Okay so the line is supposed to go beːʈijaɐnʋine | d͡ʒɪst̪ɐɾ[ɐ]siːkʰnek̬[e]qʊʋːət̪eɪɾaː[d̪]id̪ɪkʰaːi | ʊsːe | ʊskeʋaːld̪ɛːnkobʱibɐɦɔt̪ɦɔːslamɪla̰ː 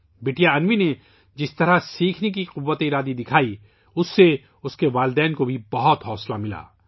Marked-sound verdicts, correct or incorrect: incorrect, incorrect, correct

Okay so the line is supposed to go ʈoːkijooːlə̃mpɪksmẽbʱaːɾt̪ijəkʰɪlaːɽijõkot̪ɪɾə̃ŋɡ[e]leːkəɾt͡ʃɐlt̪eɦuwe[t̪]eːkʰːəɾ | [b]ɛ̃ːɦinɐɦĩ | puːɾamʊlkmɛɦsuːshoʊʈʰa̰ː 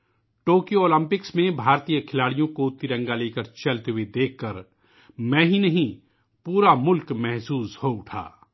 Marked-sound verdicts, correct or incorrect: incorrect, incorrect, incorrect

